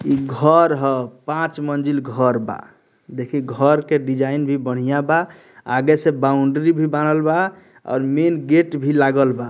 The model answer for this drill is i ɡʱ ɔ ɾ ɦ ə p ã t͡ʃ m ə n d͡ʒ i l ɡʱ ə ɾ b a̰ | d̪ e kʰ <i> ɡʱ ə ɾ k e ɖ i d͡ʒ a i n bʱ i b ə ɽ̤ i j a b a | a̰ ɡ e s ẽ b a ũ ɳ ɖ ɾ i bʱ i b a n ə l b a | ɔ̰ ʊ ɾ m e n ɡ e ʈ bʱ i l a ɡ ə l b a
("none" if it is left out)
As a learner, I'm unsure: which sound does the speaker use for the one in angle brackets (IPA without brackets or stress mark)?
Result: i